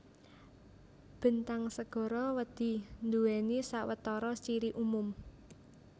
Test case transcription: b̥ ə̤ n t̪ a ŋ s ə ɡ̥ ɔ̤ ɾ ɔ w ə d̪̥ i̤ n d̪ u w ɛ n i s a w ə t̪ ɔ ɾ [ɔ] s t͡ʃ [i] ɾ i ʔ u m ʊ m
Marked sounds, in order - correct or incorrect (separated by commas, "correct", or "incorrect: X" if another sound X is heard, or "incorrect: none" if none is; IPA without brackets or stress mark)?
correct, correct